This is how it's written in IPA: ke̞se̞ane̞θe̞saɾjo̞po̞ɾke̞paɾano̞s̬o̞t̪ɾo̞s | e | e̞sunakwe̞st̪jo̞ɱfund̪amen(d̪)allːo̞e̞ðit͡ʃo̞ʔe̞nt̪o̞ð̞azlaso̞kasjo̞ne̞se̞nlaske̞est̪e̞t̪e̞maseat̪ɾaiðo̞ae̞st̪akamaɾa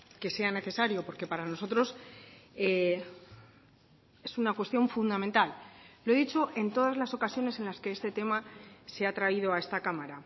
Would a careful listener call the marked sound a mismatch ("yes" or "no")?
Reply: yes